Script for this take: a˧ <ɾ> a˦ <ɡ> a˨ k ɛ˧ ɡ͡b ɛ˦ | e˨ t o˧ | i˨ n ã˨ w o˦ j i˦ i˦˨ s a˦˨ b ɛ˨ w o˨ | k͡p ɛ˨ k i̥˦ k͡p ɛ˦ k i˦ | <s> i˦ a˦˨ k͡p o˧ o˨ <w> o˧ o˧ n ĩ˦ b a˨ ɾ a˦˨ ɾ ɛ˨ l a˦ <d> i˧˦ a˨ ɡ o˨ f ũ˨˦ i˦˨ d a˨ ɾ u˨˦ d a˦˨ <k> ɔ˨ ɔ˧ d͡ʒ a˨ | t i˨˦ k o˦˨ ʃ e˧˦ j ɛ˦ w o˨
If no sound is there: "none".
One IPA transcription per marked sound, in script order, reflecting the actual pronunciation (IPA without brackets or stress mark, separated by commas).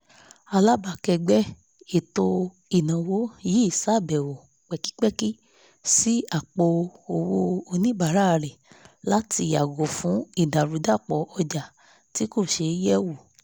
l, b, s, w, t, k͡p